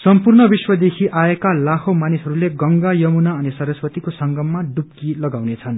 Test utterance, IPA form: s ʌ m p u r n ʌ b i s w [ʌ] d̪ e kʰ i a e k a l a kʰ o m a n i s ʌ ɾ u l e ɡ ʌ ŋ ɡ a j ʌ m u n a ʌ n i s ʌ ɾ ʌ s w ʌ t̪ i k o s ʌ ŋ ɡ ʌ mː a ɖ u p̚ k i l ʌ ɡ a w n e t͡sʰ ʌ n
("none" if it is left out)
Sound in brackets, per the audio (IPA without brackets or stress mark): ʌ